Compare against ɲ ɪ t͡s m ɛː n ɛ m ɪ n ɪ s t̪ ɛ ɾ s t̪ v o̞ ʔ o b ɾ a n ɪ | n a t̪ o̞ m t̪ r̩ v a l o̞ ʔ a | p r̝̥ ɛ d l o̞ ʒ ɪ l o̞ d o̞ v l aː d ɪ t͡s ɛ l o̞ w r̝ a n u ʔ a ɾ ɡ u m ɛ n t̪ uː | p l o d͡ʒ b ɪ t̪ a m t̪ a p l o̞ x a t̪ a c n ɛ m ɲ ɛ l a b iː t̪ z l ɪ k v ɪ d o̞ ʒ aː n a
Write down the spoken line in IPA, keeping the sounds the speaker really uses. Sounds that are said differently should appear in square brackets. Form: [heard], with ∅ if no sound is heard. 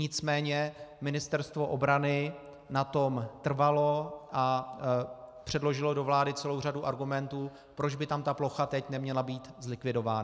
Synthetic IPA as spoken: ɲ ɪ t͡s m ɛː [ɲ] ɛ m ɪ n ɪ s t̪ ɛ ɾ s t̪ v o̞ ʔ o b ɾ a n ɪ | n a t̪ o̞ m t̪ r̩ v a l o̞ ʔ a | p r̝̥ ɛ d l o̞ ʒ ɪ l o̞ d o̞ v l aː d ɪ t͡s ɛ l o̞ w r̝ a [d] u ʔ a ɾ ɡ u m ɛ n t̪ uː | p [ɾ] o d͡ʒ b ɪ t̪ a m t̪ a p l o̞ x a t̪ [ɛ] c n ɛ m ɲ ɛ l a b iː t̪ z l ɪ k v ɪ d o̞ [v] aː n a